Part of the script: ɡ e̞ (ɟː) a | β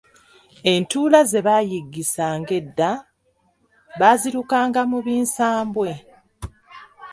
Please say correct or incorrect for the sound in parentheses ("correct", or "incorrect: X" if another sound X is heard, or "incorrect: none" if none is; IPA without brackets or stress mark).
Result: incorrect: dː